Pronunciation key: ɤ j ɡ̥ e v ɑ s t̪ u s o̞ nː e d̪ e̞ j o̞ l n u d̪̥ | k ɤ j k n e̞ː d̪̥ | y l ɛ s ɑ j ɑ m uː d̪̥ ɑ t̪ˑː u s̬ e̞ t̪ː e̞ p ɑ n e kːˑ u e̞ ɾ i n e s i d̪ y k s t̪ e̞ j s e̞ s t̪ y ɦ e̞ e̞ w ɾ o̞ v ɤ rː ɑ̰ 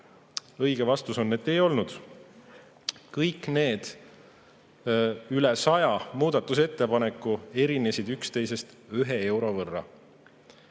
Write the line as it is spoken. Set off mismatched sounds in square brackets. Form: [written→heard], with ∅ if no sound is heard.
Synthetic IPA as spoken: ɤ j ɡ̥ e v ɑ s t̪ u s o̞ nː e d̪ e̞ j o̞ l n u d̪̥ | k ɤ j k n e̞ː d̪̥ | y l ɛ s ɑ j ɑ m uː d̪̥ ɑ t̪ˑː u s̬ e̞ t̪ː e̞ p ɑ n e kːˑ u e̞ ɾ i n e s i d̪ y k s t̪ e̞ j s e̞ s t̪ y ɦ e̞ e̞ w ɾ o̞ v ɤ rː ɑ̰